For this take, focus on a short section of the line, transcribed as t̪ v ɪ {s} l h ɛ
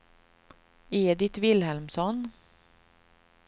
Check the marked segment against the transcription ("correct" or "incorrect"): incorrect